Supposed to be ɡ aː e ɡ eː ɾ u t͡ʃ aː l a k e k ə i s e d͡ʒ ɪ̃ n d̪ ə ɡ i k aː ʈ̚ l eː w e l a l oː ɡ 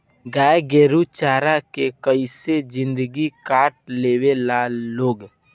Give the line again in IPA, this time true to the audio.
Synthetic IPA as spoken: ɡ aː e ɡ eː ɾ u t͡ʃ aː ɾ a k e k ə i s e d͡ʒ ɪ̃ n d̪ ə ɡ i k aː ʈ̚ l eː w e l a l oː ɡ